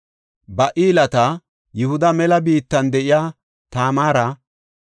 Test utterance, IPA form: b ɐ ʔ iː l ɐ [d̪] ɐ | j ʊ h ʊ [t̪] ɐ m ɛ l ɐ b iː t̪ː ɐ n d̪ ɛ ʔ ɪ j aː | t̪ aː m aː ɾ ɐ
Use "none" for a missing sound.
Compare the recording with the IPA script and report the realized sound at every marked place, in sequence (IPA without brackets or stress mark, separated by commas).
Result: t̪, d̪